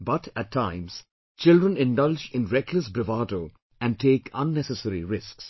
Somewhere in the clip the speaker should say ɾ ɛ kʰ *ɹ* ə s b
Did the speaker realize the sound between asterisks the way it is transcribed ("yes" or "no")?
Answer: no